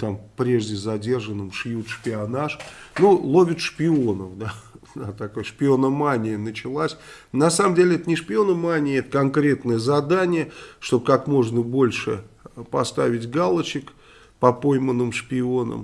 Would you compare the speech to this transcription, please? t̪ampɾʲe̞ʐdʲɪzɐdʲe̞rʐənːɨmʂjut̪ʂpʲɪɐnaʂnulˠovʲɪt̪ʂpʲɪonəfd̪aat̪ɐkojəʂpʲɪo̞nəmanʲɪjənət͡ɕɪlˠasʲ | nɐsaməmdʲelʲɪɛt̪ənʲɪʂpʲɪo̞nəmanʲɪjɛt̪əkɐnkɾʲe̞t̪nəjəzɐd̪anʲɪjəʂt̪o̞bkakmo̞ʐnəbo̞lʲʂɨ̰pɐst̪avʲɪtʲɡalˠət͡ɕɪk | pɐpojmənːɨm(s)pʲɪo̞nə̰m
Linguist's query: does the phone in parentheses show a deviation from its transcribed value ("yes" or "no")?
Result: yes